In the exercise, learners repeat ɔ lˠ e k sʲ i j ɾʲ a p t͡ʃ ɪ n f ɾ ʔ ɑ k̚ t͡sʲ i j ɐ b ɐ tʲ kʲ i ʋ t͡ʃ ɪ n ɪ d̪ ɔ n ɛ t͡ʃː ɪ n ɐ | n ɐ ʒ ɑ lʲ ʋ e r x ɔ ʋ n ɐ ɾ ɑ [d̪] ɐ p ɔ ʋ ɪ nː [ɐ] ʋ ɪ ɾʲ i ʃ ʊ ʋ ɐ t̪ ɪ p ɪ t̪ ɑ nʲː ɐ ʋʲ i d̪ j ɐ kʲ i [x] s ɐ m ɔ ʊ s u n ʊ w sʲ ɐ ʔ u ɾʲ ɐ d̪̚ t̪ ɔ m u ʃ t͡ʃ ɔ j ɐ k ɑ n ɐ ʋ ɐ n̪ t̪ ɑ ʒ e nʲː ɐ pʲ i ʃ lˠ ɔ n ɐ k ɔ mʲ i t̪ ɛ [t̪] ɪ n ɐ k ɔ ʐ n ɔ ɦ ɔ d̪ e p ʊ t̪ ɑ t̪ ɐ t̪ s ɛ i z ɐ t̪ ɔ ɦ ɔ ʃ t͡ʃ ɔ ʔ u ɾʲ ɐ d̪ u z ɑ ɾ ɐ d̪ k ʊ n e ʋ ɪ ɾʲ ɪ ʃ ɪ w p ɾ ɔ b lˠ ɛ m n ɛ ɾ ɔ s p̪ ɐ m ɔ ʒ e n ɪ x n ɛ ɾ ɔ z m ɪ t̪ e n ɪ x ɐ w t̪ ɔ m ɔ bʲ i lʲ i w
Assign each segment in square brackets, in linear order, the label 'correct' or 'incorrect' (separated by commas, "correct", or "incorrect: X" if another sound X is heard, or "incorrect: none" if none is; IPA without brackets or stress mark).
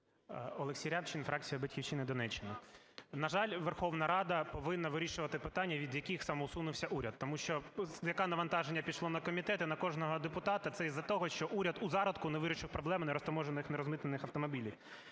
correct, correct, correct, correct